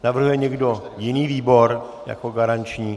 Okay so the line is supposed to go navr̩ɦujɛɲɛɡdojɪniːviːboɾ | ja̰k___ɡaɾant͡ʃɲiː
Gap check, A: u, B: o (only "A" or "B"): B